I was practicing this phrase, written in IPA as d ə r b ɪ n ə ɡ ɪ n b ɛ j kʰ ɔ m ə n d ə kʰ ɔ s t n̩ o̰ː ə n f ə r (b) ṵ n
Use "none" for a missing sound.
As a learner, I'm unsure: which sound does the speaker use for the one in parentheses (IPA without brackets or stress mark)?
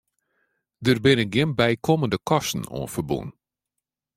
b